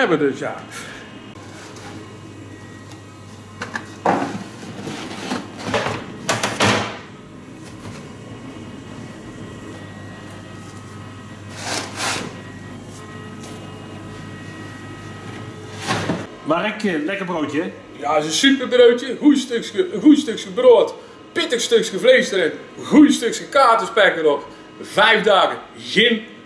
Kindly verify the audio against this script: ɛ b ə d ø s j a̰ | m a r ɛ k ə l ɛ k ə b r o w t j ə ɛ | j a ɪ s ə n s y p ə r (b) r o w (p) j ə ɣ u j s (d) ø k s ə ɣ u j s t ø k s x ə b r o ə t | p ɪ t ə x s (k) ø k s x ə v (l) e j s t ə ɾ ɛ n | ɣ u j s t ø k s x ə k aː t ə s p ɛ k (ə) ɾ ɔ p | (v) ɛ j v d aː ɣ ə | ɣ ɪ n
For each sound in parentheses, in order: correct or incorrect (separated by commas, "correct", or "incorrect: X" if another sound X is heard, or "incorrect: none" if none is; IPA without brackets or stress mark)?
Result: correct, incorrect: t, incorrect: t, incorrect: t, correct, correct, correct